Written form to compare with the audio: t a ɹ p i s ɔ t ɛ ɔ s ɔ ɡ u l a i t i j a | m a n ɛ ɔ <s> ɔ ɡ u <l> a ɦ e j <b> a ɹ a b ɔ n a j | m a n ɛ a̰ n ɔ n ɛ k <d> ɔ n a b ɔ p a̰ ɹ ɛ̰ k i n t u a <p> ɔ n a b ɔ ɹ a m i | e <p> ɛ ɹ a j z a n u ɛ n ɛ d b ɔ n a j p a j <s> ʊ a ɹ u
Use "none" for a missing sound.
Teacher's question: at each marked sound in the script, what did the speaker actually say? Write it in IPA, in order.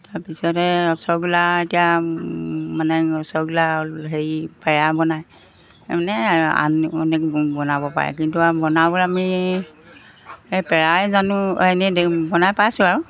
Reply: s, l, p, b, b, p, s

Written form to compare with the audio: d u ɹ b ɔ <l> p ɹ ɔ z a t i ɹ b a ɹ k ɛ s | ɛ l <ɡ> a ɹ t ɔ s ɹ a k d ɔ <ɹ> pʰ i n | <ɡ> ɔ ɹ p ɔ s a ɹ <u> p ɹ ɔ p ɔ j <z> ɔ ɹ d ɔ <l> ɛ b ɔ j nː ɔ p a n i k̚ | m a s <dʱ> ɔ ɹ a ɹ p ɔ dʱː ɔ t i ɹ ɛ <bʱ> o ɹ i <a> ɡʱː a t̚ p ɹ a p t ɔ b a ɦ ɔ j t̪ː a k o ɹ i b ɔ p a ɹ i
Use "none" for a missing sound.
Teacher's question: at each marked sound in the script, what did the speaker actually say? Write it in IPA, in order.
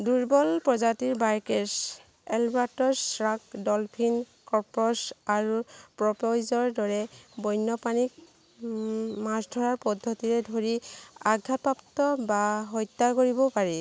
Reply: l, b, l, k, u, z, ɹ, dʱ, dʱ, a

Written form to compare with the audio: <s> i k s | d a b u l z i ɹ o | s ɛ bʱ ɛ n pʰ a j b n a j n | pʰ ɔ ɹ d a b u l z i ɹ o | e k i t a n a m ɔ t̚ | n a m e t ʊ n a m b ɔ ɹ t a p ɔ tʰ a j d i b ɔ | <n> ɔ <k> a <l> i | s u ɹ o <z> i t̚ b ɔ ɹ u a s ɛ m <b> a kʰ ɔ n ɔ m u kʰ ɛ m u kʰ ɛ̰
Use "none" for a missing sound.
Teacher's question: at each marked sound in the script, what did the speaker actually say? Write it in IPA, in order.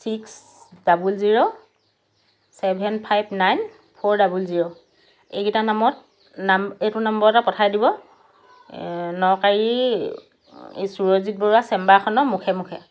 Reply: s, n, k, ɹ, z, b

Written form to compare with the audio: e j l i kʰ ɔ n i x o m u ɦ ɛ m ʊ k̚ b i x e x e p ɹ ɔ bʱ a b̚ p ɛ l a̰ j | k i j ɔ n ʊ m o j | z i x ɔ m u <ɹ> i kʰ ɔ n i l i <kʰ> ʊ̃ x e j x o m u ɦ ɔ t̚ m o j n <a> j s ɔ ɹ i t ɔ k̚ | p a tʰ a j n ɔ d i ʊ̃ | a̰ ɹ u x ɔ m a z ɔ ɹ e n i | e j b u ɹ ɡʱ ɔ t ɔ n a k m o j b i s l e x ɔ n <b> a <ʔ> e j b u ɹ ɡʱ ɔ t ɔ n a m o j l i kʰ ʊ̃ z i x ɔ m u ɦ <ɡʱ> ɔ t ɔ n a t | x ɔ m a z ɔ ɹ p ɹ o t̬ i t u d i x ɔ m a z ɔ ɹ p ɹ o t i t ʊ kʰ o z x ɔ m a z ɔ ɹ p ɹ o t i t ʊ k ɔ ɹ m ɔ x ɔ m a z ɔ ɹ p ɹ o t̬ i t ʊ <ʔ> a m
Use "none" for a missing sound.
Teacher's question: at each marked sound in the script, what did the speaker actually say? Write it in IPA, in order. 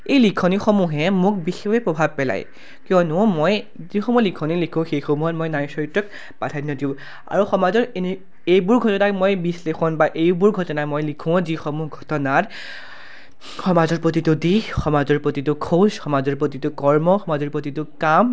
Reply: l, kʰ, a, b, ʔ, ɡʱ, k

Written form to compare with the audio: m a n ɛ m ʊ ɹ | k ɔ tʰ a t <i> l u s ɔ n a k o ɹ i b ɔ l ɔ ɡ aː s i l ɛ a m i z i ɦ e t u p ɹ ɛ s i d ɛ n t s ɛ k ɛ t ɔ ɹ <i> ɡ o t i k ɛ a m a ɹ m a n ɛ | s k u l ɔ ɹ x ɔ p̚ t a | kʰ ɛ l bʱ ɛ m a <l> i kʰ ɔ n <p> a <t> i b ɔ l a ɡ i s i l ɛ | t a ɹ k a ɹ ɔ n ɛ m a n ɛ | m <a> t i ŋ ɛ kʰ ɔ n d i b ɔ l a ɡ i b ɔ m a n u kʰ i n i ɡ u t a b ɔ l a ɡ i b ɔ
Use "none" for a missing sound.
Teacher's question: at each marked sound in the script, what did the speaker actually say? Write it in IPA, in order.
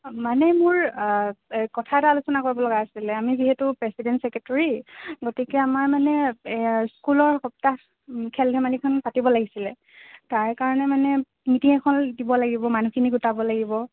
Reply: a, i, l, p, t, i

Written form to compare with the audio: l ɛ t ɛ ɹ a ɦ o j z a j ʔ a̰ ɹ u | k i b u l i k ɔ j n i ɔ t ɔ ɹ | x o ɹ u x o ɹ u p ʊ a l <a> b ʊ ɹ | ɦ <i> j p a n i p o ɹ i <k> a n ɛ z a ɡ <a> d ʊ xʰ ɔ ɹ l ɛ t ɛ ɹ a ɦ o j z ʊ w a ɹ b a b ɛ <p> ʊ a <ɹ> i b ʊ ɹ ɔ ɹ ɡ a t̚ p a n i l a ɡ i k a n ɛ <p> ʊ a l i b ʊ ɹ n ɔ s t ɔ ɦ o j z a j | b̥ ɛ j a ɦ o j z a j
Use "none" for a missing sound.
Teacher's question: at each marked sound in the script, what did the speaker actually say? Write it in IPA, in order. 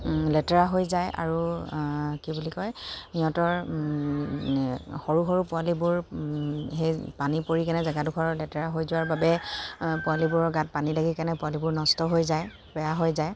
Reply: i, e, k, a, p, l, p

